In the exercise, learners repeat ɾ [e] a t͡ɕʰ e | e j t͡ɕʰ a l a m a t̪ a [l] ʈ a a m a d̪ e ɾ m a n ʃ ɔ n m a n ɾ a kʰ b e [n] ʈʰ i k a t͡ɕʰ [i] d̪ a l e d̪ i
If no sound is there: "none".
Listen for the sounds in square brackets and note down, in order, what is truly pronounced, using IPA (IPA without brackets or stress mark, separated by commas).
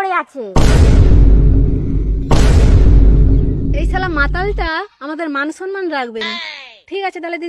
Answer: e, l, n, e